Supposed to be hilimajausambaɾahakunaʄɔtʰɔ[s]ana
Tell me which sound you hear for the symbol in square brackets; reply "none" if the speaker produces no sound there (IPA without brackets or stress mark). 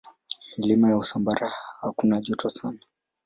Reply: s